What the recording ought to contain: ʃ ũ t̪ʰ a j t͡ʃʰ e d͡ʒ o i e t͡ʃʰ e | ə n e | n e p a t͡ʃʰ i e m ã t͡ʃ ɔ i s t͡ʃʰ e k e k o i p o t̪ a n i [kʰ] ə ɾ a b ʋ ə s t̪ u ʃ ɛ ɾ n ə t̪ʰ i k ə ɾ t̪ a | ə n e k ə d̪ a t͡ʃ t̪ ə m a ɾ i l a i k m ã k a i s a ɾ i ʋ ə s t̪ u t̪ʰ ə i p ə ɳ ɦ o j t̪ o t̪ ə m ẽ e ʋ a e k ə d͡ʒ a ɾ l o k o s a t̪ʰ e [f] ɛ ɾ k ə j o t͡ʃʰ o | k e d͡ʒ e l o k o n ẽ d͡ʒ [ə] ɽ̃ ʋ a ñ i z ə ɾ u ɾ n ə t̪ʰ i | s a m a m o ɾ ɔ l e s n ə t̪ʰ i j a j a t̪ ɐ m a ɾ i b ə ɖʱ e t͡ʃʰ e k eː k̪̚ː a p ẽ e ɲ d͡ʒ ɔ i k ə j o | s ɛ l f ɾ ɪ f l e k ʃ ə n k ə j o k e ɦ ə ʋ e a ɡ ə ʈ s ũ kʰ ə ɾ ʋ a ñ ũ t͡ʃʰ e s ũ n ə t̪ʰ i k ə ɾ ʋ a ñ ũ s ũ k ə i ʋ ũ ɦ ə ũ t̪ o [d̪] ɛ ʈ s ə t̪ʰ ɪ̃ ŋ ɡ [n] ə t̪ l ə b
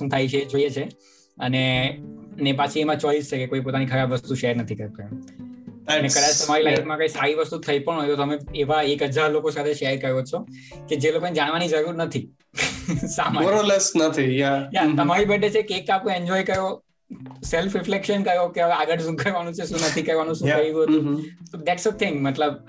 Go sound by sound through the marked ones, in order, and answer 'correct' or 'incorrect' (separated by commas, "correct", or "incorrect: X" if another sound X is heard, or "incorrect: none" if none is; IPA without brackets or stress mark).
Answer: correct, incorrect: ʃ, incorrect: a, correct, incorrect: m